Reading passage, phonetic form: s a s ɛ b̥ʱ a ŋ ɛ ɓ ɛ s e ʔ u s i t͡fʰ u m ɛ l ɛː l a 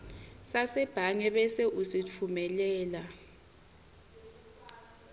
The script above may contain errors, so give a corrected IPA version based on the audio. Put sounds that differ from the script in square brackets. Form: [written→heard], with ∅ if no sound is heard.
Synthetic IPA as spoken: s a s ɛ b̥ʱ a ŋ ɛ ɓ ɛ s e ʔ u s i t͡fʰ u m ɛ l ɛː l a